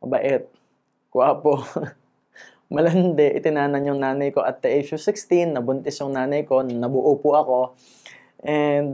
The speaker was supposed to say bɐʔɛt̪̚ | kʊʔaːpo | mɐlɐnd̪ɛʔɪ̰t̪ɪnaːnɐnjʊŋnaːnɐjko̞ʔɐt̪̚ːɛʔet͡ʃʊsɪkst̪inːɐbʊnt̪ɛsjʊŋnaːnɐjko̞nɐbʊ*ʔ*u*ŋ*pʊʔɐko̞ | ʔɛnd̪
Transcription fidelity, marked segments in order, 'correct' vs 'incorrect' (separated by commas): correct, incorrect